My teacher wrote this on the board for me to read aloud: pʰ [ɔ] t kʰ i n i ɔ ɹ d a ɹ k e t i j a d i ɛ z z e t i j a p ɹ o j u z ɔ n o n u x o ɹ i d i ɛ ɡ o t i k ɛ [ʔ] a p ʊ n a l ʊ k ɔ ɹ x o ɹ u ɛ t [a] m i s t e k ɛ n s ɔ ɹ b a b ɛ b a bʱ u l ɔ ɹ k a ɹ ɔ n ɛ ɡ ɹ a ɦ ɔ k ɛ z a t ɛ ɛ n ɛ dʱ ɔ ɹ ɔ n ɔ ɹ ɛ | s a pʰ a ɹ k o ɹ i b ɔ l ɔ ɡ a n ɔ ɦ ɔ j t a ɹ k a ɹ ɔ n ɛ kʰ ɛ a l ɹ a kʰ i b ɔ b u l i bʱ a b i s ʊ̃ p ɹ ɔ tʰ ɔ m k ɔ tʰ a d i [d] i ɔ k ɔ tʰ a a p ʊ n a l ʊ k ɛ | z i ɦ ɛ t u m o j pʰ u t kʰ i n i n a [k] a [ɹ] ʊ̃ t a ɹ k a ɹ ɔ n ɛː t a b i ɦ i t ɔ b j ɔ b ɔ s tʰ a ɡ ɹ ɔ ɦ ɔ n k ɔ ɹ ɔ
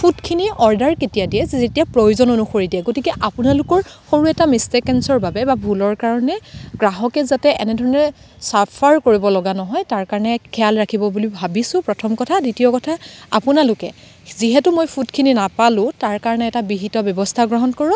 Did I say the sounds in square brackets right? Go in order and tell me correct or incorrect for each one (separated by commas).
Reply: incorrect, correct, correct, incorrect, incorrect, incorrect